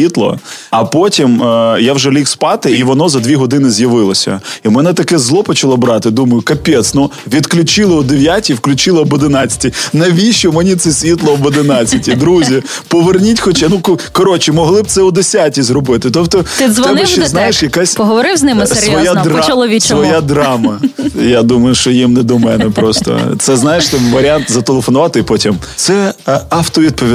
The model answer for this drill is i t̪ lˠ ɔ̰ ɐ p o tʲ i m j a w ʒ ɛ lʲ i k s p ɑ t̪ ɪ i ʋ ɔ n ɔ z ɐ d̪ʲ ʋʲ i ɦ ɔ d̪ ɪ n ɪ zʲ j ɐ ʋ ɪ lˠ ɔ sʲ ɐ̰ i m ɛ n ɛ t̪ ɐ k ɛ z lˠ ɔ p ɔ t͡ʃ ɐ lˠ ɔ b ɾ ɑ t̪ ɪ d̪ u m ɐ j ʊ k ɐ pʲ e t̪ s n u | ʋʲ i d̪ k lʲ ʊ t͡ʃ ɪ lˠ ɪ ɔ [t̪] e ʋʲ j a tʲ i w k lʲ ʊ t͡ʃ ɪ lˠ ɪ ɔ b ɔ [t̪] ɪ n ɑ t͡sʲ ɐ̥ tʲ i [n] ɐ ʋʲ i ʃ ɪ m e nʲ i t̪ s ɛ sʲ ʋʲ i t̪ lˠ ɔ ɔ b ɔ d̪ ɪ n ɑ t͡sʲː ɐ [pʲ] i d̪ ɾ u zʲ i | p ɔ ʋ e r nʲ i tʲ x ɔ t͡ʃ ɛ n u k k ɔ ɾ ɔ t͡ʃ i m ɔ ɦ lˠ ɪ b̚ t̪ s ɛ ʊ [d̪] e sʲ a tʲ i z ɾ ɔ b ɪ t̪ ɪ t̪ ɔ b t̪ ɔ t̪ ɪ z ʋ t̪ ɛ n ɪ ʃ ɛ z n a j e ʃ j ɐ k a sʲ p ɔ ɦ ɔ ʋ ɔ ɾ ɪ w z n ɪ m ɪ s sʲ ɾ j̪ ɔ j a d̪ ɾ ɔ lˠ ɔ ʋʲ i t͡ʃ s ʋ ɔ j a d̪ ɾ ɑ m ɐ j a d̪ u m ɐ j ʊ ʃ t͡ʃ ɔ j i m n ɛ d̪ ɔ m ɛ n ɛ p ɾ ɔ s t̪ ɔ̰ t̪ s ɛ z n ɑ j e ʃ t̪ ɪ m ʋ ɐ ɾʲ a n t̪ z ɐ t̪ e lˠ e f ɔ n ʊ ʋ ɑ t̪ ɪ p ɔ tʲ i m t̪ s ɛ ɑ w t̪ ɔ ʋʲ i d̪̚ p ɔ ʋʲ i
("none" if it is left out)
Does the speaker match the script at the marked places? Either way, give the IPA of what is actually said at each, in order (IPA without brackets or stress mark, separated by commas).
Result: d̪, d̪, n, tʲ, d̪